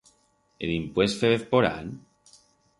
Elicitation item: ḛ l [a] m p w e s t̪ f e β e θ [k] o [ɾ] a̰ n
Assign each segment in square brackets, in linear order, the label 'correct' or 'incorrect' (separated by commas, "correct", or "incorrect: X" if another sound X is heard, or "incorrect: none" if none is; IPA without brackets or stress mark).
incorrect: i, incorrect: p, correct